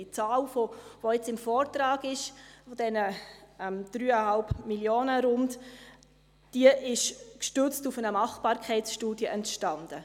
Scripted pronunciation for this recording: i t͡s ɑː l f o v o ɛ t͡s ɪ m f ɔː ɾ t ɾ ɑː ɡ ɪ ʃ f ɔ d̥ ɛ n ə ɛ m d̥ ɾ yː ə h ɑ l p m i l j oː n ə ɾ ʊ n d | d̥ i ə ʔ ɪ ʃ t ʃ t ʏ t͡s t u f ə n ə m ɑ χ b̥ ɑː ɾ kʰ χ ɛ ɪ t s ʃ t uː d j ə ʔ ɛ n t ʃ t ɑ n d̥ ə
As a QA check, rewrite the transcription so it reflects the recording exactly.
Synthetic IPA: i t͡s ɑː l f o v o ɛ t͡s ɪ m f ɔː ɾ t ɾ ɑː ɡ ɪ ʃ f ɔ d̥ ɛ n ə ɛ m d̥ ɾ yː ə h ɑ l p m i l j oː n ə ɾ ʊ n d | d̥ i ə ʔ ɪ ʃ k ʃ t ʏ t͡s t u f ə n ə m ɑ χ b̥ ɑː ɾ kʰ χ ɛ ɪ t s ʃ t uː d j ə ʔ ɛ n t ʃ t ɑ n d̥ ə